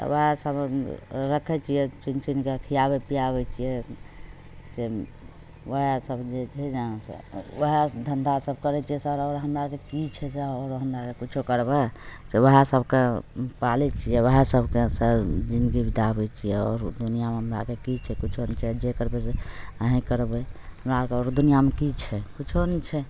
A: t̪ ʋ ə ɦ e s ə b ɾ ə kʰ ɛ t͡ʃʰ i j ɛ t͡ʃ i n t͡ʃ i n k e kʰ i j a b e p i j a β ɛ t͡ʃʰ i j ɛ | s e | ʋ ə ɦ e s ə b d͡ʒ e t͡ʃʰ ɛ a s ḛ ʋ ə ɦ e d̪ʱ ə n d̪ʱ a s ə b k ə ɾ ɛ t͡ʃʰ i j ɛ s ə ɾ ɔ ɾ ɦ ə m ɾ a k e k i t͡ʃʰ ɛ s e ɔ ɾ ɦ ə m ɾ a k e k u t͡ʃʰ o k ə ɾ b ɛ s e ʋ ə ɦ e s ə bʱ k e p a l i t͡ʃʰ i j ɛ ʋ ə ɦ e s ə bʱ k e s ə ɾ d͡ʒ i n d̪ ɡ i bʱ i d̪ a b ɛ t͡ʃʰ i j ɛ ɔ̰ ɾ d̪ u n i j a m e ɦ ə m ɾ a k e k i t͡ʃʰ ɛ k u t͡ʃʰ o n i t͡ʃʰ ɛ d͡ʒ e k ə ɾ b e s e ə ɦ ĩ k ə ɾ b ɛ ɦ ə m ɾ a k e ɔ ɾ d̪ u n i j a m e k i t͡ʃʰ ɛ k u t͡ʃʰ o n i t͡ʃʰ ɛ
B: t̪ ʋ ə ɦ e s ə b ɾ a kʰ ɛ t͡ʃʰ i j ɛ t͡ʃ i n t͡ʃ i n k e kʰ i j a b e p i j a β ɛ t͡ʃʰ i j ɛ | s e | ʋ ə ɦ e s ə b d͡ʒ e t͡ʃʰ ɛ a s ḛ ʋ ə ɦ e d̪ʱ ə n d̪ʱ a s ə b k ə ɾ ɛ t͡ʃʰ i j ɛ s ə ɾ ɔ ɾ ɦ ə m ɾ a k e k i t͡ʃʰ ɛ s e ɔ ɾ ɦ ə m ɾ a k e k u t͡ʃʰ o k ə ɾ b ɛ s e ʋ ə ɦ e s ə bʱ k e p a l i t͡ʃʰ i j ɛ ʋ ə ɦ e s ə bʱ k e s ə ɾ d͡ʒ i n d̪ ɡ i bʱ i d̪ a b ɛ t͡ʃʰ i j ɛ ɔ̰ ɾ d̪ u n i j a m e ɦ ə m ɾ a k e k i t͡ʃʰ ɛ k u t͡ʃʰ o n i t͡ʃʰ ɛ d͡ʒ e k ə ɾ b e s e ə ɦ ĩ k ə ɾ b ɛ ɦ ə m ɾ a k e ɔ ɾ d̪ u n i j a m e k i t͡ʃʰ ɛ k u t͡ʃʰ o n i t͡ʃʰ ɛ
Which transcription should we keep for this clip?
A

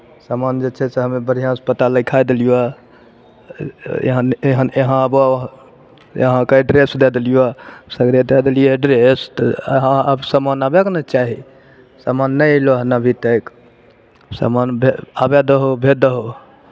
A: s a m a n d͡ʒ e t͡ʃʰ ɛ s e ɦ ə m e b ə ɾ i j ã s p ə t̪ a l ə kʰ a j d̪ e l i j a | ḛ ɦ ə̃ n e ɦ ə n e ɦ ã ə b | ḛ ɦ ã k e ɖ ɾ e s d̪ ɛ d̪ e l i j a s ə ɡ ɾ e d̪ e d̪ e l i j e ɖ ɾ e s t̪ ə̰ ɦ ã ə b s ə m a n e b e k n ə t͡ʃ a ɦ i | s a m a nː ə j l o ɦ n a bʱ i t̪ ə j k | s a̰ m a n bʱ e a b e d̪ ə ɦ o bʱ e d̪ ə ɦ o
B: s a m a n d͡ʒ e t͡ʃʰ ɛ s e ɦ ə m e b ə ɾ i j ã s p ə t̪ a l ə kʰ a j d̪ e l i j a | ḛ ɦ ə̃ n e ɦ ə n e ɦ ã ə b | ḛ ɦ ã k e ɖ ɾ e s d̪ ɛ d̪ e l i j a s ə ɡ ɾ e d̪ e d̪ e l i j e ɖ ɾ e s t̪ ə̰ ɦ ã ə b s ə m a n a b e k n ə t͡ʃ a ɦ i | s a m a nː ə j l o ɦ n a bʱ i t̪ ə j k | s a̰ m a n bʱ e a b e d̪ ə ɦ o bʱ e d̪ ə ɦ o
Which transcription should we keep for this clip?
B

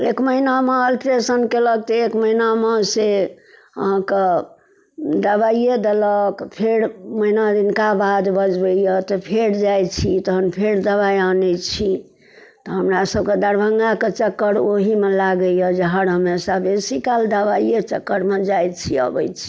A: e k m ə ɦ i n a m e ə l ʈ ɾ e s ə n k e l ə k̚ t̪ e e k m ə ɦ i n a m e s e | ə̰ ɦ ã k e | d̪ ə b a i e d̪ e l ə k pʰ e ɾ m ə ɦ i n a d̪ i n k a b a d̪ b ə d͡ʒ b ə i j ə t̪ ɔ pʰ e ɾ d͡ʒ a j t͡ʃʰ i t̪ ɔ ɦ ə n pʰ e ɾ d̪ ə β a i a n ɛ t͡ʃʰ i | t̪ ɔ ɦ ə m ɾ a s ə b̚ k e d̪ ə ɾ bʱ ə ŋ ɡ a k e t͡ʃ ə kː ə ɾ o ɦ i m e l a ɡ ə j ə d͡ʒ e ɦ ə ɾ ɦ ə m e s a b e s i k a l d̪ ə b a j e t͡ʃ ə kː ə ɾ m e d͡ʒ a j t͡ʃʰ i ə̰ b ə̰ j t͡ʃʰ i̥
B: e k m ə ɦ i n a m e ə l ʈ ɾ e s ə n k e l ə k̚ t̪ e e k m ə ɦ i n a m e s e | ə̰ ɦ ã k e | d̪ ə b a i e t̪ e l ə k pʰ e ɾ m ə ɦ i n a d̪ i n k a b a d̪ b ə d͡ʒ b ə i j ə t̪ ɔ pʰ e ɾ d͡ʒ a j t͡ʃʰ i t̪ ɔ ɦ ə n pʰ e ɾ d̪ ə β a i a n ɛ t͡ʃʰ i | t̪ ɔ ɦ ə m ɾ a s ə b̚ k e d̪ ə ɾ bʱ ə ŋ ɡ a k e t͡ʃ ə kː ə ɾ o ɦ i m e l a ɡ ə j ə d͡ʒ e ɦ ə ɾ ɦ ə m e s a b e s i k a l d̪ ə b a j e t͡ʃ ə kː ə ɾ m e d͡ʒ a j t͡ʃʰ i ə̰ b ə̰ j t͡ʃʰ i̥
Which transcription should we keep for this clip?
A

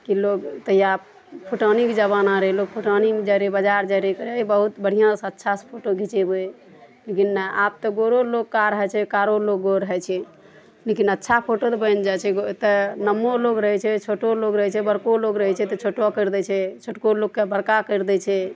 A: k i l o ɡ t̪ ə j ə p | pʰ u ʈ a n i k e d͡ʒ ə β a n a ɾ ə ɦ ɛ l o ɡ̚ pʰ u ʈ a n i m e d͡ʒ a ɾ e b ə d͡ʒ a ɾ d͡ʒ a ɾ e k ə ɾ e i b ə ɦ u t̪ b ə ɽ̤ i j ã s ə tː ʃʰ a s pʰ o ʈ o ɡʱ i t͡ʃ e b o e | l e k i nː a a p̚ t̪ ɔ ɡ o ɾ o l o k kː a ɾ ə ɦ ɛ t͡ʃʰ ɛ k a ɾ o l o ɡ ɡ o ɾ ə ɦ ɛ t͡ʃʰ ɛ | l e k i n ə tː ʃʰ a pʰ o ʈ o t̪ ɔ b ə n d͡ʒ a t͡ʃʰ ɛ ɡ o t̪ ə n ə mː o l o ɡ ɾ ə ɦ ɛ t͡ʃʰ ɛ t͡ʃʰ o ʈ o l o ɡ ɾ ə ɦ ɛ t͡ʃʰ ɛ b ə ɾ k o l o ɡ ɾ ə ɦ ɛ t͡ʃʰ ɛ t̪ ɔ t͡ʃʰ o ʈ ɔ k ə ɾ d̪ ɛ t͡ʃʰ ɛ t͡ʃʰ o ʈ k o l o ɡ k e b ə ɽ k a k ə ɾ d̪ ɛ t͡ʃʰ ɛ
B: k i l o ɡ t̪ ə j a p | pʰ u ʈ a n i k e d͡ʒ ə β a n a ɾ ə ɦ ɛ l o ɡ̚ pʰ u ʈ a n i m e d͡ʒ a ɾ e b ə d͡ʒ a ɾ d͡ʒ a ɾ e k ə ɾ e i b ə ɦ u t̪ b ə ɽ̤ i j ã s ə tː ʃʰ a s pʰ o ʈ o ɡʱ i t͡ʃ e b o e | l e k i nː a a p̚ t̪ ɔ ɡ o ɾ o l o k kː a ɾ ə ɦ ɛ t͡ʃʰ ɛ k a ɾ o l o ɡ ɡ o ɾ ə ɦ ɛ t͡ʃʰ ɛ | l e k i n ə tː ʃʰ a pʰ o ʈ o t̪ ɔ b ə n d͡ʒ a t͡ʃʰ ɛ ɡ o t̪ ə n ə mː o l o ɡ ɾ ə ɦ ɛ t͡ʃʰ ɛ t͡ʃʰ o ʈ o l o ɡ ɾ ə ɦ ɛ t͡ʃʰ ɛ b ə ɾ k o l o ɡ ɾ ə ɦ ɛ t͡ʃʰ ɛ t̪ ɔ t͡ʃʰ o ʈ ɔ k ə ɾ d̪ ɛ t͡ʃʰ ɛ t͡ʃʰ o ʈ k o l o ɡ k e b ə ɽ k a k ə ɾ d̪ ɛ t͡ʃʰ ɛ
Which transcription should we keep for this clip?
B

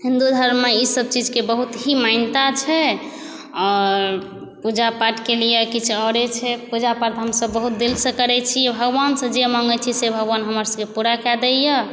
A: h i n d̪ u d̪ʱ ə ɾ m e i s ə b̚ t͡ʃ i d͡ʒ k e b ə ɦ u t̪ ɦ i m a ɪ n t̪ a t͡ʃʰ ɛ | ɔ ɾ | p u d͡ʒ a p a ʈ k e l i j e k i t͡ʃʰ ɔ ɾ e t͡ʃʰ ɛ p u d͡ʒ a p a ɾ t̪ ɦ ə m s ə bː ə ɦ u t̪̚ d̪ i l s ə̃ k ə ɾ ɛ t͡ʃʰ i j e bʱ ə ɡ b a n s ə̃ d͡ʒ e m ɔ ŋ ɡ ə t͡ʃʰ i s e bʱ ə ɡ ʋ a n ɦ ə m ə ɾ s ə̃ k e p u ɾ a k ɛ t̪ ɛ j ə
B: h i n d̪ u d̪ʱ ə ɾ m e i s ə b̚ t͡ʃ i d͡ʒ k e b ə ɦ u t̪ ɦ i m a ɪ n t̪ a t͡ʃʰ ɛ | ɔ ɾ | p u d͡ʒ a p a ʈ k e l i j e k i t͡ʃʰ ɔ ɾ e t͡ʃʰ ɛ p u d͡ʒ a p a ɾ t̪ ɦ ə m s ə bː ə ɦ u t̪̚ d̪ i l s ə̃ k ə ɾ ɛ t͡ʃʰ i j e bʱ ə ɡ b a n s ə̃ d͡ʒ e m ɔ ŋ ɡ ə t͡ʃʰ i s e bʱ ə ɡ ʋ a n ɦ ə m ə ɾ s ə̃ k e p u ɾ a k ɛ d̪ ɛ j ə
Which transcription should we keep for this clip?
B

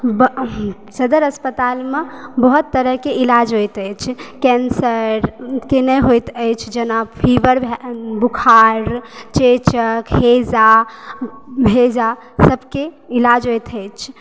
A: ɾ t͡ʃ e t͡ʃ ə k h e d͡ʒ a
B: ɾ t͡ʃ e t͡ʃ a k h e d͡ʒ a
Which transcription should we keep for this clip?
A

